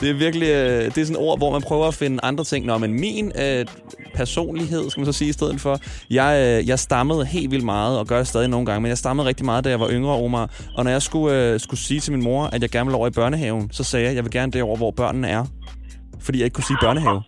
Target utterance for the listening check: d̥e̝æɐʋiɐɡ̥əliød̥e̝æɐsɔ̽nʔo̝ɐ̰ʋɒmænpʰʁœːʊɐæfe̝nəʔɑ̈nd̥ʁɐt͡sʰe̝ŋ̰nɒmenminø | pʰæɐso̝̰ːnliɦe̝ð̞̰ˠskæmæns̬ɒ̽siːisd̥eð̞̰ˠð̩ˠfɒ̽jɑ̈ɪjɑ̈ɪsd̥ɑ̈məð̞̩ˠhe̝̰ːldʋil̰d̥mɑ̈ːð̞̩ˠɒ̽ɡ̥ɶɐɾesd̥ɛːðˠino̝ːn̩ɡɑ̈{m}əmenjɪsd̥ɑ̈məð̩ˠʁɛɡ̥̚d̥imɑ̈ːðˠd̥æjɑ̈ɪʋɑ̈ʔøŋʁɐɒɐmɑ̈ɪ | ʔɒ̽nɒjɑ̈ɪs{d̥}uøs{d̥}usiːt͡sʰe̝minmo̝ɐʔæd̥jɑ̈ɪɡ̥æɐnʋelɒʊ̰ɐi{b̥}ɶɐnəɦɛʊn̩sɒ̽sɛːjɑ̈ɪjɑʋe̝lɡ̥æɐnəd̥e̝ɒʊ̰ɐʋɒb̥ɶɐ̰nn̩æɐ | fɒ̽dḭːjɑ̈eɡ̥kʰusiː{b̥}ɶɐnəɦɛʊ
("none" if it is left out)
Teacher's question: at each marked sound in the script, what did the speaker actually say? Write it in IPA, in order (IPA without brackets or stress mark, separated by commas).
ŋ, ɡ̥, ɡ̥, b̥, b̥